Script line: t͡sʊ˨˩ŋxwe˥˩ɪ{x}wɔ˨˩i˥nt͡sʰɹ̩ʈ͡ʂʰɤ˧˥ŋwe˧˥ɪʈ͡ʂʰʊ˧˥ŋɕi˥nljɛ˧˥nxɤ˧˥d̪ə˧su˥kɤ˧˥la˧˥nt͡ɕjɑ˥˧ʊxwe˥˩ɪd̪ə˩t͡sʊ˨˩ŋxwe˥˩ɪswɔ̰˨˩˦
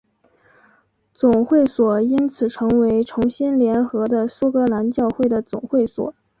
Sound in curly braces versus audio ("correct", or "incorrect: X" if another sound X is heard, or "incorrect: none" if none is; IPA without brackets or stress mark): incorrect: s